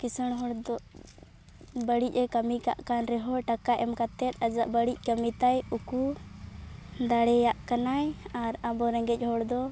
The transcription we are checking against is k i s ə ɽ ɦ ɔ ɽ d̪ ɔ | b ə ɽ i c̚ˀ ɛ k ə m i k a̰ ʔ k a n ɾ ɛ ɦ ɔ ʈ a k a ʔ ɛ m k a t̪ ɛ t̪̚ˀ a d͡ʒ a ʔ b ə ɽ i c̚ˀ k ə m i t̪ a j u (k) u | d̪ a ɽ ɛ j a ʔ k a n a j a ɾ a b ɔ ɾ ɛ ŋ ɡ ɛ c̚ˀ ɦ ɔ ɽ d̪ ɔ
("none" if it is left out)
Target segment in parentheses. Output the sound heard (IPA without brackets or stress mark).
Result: k